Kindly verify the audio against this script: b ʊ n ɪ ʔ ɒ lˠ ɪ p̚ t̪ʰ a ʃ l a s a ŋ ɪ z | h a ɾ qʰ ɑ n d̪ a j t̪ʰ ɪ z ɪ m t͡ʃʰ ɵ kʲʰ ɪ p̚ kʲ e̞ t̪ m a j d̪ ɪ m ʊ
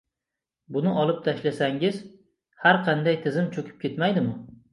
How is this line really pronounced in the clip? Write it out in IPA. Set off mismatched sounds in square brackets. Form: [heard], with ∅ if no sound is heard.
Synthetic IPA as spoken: b ʊ n ɪ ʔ ɒ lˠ ɪ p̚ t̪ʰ a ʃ l a s a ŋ ɪ z | h a ɾ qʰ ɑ n d̪ a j t̪ʰ ɪ z ɪ m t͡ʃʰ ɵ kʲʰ ɪ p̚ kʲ e̞ t̪ m a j d̪ ɪ m ʊ